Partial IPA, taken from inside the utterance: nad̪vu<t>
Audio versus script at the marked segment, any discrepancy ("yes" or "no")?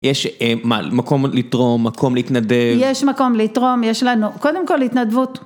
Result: no